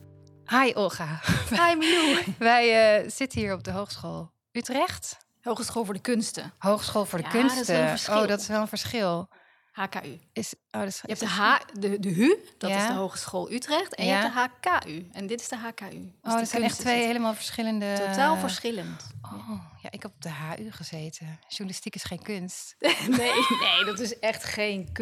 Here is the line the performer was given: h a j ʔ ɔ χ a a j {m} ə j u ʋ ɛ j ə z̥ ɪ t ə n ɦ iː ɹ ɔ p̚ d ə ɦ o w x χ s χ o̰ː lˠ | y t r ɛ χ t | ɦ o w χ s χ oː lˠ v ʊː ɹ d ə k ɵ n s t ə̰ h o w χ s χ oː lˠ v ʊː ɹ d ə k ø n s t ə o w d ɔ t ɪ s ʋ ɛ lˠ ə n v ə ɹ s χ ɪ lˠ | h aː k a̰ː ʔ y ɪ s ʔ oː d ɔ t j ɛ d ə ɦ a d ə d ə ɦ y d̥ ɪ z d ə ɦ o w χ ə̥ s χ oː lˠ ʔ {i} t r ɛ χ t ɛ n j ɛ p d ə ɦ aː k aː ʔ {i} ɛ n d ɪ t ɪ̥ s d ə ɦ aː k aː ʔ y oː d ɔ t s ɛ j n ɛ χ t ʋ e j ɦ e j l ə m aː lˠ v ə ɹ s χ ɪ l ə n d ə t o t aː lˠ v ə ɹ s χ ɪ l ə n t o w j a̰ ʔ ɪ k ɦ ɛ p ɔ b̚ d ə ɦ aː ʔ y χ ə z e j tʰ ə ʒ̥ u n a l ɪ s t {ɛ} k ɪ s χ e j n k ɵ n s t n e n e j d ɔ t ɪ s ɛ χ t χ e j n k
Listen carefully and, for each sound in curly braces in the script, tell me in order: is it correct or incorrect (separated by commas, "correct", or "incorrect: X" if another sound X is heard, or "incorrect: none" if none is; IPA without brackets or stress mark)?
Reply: correct, incorrect: y, incorrect: y, incorrect: i